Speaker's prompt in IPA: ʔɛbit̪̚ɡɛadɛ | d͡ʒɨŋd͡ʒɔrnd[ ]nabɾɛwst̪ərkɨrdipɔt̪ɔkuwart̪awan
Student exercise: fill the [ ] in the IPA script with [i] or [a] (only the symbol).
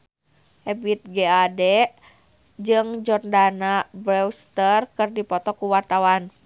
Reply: a